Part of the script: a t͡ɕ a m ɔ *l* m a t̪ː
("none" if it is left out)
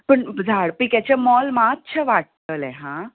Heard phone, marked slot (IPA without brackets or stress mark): l